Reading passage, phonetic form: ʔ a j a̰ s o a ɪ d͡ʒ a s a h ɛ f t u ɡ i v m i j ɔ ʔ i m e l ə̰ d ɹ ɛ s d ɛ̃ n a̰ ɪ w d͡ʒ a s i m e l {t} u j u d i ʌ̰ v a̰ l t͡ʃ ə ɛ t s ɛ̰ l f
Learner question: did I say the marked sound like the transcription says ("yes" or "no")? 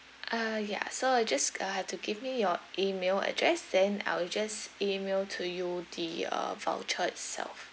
no